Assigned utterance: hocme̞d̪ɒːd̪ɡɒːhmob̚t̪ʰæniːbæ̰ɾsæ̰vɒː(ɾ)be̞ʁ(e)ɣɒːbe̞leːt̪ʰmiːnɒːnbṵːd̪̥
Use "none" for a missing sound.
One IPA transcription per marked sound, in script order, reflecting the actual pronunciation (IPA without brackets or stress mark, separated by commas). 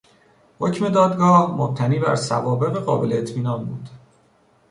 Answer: none, e